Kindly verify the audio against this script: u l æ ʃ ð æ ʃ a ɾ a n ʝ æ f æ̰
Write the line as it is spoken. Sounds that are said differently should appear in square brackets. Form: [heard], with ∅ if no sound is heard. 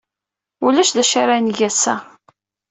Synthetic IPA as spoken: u l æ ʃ ð æ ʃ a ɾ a n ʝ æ [s] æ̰